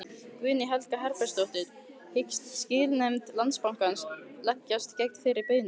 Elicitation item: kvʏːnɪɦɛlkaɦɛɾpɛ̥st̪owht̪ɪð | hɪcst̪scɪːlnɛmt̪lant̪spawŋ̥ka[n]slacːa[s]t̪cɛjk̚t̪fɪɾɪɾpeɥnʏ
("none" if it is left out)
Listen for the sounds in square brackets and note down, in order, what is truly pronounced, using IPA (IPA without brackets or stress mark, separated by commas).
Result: n, s